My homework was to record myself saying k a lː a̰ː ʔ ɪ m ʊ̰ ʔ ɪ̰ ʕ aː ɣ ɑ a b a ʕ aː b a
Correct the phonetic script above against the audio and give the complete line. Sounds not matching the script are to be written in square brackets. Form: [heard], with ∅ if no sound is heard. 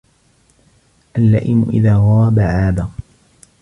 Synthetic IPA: [ʔ] a lː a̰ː ʔ ɪ m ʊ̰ ʔ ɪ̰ [ð] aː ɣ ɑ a b a ʕ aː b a

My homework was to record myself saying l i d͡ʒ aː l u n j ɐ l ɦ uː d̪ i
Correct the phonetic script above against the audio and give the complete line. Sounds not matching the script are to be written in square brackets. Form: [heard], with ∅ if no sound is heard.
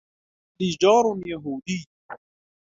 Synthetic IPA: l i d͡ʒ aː [ɾ] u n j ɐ [∅] ɦ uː d̪ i

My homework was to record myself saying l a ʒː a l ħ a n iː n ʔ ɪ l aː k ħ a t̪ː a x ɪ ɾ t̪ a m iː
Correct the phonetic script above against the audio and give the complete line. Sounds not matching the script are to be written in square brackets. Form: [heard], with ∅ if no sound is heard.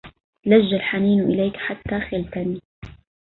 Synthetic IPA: l a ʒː a l ħ a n iː n ʔ ɪ l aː k ħ a t̪ː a x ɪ [l] t̪ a [n] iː

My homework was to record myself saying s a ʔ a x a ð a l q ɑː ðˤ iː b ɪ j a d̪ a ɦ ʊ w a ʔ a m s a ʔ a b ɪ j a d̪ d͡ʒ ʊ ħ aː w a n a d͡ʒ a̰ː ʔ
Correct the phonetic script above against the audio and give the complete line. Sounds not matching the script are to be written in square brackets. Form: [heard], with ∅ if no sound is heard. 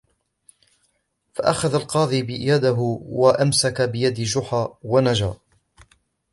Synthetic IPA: [f] a ʔ a x a ð a l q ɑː ðˤ iː b ɪ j a d̪ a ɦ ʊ w a ʔ a m s a [k] a b ɪ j a d̪ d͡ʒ ʊ ħ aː w a n a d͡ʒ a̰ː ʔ

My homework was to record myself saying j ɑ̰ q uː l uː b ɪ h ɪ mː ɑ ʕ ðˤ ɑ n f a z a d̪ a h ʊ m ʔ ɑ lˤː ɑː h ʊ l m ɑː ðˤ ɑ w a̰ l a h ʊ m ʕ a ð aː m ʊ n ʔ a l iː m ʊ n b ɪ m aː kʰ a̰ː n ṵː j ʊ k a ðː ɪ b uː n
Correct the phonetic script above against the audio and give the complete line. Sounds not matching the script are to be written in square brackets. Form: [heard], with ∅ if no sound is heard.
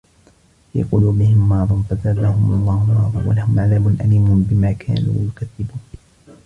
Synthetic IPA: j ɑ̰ q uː l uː b ɪ h ɪ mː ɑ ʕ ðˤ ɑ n f a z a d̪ a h ʊ m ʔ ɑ lˤː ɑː h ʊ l m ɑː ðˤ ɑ w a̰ l a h ʊ m ʕ a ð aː m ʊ n ʔ a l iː m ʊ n b ɪ m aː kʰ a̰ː n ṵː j ʊ k a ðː ɪ b uː n

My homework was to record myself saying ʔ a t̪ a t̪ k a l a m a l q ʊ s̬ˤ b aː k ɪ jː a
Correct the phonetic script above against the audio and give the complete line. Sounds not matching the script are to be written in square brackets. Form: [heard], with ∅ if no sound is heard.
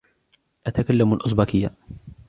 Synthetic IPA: ʔ a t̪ a [∅] k a [lː] a m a l [ʔ] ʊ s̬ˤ b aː k ɪ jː a

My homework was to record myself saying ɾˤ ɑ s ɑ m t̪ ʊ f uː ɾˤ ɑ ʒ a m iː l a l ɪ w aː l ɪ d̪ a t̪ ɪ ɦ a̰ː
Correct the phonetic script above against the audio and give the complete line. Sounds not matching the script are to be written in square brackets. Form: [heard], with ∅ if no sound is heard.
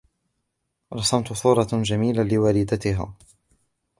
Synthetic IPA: ɾˤ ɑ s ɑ m t̪ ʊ [s] uː ɾˤ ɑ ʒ a m iː l a l ɪ w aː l ɪ d̪ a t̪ ɪ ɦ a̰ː

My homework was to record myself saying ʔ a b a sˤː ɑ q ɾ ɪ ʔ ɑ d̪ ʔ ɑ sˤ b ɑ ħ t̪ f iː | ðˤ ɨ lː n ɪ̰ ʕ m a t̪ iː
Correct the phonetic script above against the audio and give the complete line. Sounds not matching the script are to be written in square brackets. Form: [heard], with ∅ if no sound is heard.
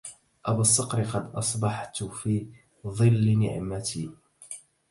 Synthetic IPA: ʔ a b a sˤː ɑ q ɾ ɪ [q] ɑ d̪ ʔ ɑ sˤ b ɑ ħ t̪ f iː | ðˤ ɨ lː n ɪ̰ ʕ m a t̪ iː

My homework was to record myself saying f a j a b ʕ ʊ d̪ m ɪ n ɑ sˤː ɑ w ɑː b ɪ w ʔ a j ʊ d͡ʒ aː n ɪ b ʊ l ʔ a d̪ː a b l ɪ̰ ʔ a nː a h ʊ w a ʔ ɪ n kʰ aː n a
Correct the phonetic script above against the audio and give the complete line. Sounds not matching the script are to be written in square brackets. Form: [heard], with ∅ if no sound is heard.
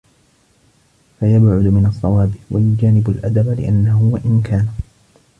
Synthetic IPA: f a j a b ʕ ʊ d̪ m ɪ n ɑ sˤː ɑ w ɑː b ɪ w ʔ a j ʊ d͡ʒ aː n ɪ b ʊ l ʔ a [d̪] a b l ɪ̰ ʔ a nː a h ʊ w a ʔ ɪ n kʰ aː n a

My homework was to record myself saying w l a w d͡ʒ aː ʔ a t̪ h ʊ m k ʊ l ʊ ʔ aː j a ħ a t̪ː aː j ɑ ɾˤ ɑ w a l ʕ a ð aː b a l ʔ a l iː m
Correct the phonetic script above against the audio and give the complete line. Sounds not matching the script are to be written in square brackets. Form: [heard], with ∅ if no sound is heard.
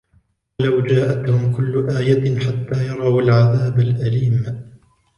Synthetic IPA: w l a w d͡ʒ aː ʔ a t̪ h ʊ m k ʊ [lː] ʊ ʔ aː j a ħ a t̪ː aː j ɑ ɾˤ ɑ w a l ʕ a ð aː b a l ʔ a l iː m

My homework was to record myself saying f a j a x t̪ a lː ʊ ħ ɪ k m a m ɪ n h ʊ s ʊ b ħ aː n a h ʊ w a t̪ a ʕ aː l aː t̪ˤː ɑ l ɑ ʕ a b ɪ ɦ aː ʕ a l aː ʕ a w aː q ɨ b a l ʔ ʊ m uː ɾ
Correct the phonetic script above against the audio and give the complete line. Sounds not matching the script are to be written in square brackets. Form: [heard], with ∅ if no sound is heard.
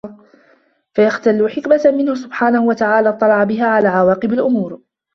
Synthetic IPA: f a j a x t̪ a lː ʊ ħ ɪ k m a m ɪ n h ʊ s ʊ b ħ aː n a h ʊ w a t̪ a ʕ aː l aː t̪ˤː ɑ l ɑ ʕ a b ɪ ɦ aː ʕ a l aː ʕ a w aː q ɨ b a l ʔ ʊ m uː ɾ

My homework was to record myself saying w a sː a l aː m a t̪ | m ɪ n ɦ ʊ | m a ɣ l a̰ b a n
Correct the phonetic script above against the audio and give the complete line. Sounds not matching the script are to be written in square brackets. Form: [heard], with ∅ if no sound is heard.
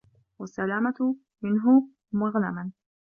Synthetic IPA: w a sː a l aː m a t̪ | m ɪ n ɦ ʊ | m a ɣ l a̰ [m] a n

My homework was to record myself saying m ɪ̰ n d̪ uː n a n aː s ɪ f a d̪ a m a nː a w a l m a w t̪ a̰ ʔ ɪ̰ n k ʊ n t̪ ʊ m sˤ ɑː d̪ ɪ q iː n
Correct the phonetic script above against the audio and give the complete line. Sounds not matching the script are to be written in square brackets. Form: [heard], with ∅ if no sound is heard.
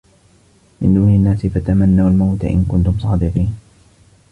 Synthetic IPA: m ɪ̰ n d̪ uː n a [nː] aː s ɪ f a [t̪] a m a nː a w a l m a w t̪ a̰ ʔ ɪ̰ n k ʊ n t̪ ʊ m sˤ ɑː d̪ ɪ q iː n

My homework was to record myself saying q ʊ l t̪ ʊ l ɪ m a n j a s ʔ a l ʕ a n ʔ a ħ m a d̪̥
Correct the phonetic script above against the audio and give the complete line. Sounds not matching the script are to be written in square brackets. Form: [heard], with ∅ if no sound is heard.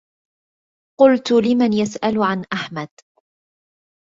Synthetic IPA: q ʊ l t̪ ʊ l ɪ m a n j a s ʔ a l ʕ a n ʔ a ħ m a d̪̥

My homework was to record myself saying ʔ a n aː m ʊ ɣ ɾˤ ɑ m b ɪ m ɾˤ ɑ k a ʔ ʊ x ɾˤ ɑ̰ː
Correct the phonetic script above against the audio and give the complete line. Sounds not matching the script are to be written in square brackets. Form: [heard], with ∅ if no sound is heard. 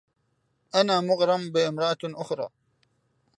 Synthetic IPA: ʔ a n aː m ʊ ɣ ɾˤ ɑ m b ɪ m ɾˤ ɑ [ʔ] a ʔ ʊ x ɾˤ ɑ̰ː

